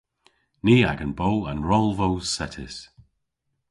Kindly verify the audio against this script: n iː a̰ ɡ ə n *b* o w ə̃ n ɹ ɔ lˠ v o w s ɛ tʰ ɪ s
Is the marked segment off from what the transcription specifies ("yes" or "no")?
no